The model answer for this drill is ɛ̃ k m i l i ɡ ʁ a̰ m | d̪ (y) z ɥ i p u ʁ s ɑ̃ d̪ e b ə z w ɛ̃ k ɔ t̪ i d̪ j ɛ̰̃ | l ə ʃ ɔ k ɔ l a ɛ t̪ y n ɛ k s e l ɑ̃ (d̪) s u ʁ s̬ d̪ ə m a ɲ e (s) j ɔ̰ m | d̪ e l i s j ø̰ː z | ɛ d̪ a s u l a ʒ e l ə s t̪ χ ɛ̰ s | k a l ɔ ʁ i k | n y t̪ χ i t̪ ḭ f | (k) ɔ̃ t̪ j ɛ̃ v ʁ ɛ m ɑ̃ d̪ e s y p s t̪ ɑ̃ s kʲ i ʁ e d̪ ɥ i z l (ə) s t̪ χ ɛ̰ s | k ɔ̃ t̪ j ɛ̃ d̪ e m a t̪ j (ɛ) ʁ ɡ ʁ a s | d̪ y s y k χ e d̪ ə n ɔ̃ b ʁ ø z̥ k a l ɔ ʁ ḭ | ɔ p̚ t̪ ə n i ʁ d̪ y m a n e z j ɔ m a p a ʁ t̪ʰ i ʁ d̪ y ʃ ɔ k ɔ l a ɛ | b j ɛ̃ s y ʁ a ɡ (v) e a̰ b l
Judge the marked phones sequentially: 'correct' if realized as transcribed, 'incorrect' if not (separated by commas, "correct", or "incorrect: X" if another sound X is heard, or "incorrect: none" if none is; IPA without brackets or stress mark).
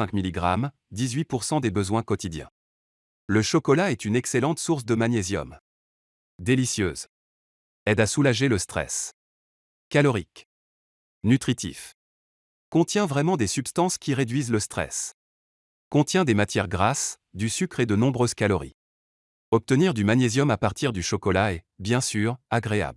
incorrect: i, incorrect: t̪, incorrect: z, correct, correct, correct, incorrect: ʁ